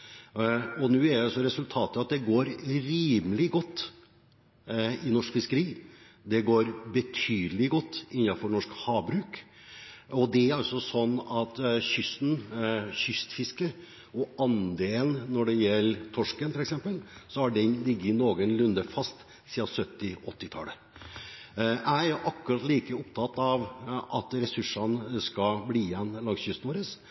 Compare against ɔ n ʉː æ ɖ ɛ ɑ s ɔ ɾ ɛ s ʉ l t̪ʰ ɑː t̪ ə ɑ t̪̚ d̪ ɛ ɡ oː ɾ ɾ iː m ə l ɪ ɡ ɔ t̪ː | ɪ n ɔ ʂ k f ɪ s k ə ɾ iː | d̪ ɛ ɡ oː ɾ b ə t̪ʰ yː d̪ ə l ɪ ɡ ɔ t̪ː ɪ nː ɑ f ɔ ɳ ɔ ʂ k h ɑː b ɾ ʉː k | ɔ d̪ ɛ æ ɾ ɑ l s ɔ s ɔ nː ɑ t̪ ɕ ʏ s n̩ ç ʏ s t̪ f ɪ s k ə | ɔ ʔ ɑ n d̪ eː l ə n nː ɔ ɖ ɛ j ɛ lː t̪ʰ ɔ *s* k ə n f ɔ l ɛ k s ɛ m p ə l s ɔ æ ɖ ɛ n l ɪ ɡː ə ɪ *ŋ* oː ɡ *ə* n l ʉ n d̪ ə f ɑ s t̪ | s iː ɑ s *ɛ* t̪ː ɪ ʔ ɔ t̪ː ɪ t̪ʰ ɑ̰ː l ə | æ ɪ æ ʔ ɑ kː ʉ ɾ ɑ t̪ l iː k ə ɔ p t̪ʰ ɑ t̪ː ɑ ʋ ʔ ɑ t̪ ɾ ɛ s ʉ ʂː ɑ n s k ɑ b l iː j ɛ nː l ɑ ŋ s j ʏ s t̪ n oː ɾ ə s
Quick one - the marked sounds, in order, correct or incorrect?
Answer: incorrect, incorrect, correct, incorrect

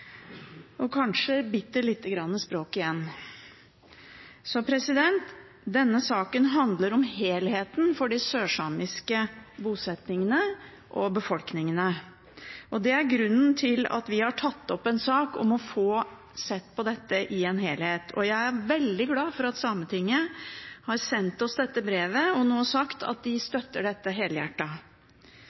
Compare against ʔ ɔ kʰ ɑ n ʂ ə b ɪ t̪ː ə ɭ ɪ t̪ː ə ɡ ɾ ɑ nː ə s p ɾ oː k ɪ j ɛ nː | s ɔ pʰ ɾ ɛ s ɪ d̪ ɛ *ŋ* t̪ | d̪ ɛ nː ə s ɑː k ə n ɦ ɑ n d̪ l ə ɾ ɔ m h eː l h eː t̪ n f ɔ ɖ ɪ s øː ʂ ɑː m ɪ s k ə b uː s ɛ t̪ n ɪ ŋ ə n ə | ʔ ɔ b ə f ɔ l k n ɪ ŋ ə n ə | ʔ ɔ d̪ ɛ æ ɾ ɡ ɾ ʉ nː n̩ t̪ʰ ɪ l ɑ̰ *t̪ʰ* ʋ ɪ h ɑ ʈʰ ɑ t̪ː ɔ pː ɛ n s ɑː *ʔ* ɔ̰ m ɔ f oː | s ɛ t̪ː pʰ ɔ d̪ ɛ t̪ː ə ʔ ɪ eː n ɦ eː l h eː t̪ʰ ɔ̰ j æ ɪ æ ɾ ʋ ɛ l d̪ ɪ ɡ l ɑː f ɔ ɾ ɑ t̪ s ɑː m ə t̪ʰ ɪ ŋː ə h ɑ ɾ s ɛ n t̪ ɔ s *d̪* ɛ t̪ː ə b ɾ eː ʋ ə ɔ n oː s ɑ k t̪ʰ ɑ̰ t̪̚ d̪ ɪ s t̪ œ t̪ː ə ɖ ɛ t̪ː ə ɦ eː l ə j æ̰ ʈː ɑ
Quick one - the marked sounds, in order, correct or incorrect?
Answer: incorrect, incorrect, incorrect, correct

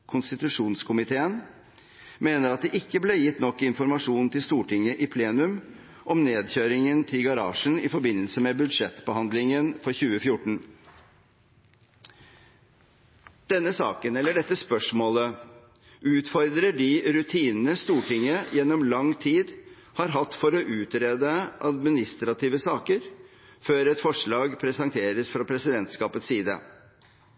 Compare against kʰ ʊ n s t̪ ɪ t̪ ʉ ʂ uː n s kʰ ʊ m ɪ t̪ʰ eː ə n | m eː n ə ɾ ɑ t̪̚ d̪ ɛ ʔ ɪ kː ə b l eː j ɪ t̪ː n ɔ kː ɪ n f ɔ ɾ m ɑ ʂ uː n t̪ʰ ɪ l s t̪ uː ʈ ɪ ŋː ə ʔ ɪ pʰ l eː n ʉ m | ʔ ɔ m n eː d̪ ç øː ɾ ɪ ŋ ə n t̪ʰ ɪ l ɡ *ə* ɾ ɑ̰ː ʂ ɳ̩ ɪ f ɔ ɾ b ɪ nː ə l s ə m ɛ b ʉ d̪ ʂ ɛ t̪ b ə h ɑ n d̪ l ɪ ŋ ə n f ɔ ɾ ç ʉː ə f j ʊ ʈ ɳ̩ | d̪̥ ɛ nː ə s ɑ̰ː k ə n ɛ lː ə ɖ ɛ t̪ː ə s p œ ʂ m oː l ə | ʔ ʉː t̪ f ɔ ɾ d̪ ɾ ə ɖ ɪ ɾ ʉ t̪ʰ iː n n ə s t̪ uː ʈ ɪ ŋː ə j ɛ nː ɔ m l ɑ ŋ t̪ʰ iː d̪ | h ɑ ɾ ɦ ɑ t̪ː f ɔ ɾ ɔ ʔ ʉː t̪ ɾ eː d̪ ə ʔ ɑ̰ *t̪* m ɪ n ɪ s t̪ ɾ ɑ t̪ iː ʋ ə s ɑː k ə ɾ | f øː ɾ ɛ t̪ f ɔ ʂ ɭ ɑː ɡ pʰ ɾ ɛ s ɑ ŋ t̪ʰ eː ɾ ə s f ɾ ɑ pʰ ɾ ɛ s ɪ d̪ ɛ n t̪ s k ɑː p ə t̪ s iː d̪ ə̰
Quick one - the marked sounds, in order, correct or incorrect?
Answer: incorrect, incorrect

